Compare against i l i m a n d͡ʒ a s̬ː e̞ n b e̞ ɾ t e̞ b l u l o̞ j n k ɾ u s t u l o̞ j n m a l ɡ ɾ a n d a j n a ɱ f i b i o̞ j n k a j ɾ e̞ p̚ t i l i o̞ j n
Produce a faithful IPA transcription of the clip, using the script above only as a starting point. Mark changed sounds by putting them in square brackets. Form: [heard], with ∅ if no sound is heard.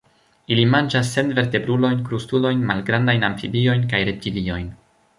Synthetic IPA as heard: i l i m a n d͡ʒ a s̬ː e̞ n [v] e̞ ɾ t e̞ b [ɾ] u l o̞ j n k ɾ u s t u l o̞ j n m a l ɡ ɾ a n d a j n a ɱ f i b i o̞ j n k a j ɾ e̞ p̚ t i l i o̞ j n